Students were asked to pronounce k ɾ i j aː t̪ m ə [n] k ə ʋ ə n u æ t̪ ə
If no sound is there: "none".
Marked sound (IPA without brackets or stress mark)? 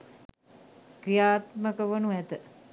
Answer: none